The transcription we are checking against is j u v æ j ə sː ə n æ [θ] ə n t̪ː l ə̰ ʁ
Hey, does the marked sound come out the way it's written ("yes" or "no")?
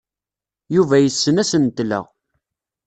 no